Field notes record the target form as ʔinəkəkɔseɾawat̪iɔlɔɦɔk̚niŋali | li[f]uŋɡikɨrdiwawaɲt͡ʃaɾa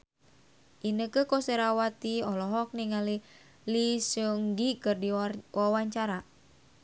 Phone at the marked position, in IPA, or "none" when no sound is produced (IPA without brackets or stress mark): s